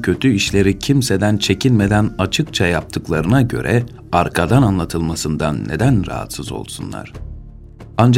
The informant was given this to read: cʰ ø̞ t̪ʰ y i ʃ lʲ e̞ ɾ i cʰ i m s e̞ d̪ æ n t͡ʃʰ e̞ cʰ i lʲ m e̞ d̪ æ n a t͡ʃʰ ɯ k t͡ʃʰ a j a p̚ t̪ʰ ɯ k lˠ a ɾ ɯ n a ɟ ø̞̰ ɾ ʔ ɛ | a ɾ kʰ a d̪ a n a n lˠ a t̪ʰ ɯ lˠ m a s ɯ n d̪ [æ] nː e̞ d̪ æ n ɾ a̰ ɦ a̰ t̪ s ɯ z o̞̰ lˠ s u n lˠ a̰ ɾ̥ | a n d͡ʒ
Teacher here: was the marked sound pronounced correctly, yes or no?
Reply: no